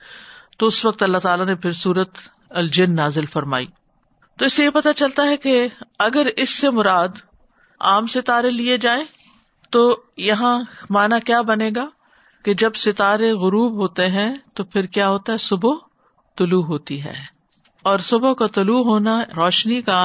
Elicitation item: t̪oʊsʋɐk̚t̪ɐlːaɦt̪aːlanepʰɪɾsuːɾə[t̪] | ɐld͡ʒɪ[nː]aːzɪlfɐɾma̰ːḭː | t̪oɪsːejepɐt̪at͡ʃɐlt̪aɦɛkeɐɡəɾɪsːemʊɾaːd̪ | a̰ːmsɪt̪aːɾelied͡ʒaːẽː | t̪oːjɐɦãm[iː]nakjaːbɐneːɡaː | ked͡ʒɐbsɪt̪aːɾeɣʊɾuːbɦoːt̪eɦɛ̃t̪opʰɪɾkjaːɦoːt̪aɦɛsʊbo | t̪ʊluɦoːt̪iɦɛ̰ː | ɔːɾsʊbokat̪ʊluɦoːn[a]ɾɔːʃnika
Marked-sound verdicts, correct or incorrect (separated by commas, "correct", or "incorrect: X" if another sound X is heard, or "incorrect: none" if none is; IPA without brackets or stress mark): correct, correct, incorrect: aː, correct